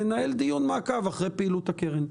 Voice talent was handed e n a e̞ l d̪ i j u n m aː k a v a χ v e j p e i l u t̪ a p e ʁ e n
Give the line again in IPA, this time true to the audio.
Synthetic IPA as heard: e n a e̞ l d̪ i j u n m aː k a v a χ ʁ e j p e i l u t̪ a k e ʁ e n